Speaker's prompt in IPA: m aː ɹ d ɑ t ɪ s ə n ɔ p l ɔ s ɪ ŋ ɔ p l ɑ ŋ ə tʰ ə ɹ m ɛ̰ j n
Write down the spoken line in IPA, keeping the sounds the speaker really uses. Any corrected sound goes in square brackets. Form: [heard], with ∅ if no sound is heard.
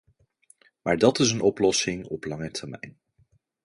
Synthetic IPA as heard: m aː ɹ d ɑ t ɪ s ə n ɔ p l ɔ s ɪ ŋ ɔ p l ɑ ŋ ə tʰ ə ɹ m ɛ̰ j n